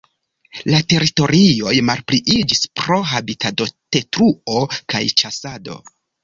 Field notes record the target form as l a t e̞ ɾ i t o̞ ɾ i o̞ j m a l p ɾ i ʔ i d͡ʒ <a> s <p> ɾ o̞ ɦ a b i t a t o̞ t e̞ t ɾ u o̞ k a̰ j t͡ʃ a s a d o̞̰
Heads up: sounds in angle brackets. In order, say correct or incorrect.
incorrect: i, correct

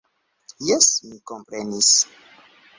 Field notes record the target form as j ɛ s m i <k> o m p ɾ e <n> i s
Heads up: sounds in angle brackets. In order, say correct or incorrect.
correct, correct

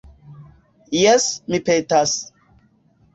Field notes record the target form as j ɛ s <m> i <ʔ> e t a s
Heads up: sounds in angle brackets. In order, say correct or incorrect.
correct, incorrect: p

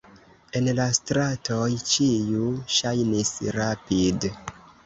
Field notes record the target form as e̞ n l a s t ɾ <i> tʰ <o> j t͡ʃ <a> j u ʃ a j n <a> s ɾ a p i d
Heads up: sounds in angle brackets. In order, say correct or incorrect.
incorrect: a, correct, incorrect: i, incorrect: i

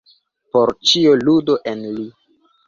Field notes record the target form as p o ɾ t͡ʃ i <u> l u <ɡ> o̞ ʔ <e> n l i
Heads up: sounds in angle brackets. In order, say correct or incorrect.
incorrect: o, incorrect: d, correct

